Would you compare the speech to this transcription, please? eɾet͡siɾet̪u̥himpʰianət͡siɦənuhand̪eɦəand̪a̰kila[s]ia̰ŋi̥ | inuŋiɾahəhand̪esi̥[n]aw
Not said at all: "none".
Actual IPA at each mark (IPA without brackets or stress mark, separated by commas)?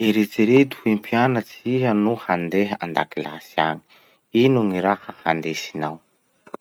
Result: s, n